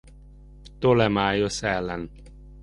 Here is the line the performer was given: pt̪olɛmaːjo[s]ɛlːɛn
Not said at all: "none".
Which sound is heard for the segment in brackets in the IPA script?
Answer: s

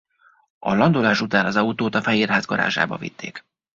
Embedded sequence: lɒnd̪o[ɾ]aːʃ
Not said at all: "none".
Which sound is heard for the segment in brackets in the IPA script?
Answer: l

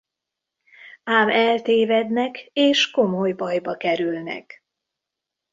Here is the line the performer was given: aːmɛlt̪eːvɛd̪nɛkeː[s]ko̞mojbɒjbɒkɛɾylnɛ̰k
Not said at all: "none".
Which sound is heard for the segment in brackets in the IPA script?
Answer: ʃ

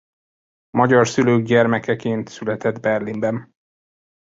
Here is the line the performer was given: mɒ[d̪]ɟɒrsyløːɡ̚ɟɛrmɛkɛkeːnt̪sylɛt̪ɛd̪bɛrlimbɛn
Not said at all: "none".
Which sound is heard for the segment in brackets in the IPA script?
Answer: none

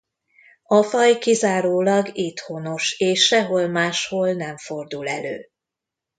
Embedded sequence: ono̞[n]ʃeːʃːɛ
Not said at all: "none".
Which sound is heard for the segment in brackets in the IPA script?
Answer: none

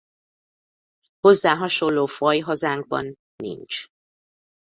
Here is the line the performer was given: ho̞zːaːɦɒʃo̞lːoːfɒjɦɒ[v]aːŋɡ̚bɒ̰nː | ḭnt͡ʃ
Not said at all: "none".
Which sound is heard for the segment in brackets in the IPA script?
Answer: z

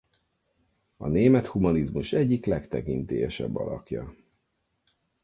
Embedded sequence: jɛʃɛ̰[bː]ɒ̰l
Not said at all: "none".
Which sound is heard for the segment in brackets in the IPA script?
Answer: bː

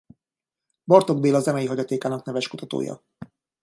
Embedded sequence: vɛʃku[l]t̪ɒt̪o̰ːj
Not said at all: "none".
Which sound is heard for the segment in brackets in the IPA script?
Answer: none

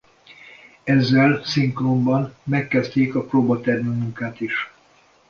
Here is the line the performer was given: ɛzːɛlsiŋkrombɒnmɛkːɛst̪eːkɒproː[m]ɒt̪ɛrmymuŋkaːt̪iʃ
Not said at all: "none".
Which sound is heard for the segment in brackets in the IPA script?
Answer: b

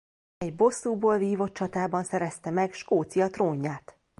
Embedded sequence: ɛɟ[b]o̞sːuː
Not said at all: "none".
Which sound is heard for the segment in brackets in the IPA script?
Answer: b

